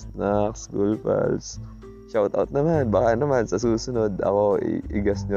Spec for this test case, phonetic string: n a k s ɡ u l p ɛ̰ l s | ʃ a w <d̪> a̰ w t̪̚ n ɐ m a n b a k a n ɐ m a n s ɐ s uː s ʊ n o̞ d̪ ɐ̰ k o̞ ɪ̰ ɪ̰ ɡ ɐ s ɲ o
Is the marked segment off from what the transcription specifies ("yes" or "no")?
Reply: yes